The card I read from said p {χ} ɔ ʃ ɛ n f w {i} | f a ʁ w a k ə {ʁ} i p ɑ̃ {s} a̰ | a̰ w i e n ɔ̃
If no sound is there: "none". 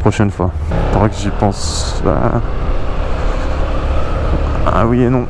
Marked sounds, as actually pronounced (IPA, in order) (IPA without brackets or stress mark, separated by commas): χ, a, ʒ, s